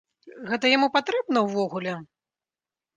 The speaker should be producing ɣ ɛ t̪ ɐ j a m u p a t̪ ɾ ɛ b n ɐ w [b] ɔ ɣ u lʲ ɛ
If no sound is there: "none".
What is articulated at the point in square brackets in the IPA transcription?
v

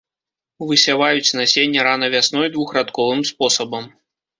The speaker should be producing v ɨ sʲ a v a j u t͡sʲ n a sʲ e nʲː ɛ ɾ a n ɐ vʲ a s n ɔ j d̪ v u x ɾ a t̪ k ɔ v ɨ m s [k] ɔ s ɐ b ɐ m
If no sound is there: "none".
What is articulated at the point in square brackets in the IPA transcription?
p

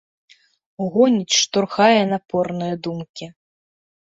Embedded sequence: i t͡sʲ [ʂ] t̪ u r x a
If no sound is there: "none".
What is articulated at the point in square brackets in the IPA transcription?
ʂ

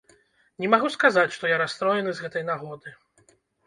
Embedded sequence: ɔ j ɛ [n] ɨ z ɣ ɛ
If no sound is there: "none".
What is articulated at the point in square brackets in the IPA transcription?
n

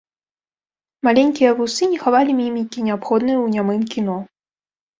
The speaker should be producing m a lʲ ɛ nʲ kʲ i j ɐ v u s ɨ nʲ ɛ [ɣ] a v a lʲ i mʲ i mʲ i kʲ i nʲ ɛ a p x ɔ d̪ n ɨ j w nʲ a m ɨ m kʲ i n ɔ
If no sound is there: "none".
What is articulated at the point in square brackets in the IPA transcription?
x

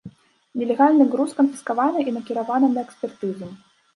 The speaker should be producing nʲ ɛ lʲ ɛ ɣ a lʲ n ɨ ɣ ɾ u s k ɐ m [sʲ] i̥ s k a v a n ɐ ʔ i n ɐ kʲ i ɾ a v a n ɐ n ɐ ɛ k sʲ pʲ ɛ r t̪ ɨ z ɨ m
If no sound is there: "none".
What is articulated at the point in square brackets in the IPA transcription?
fʲ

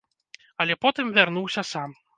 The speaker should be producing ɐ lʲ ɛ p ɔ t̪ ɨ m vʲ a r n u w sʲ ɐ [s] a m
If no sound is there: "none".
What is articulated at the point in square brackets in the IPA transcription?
s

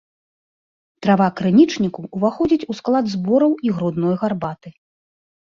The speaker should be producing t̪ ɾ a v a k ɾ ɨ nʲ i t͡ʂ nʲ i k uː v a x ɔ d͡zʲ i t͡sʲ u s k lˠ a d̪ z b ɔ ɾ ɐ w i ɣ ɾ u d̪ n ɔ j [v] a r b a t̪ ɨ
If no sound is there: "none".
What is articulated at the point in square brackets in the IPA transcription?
ɣ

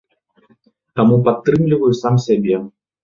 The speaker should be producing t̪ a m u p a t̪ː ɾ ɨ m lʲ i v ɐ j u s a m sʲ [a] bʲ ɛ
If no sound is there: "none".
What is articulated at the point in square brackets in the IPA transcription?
a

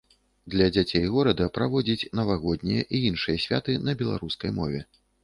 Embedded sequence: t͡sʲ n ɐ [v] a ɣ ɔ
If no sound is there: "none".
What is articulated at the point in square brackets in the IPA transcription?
v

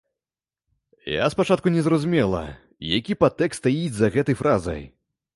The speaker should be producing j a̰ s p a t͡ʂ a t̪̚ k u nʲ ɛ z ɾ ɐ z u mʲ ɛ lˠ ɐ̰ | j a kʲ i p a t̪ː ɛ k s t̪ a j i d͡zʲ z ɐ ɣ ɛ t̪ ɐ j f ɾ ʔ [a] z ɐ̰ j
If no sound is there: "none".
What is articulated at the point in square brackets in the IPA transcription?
a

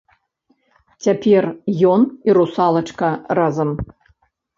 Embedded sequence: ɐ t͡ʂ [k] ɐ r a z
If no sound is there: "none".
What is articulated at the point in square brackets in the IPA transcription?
k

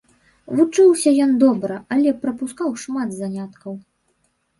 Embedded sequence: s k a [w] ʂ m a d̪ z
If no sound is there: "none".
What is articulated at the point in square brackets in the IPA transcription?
w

